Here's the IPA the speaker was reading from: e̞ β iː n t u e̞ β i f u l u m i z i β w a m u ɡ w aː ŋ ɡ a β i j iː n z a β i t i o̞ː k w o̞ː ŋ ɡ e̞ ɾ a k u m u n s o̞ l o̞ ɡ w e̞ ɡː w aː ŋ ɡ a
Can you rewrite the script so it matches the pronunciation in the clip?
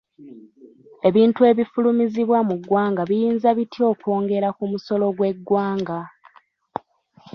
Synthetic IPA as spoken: e̞ β iː n t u e̞ β i f u l u m i z i β w a m u ɡ w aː ŋ ɡ a β i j iː n z a β i t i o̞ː k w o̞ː ŋ ɡ e̞ ɾ a k u m u s o̞ l o̞ ɡ w e̞ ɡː w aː ŋ ɡ a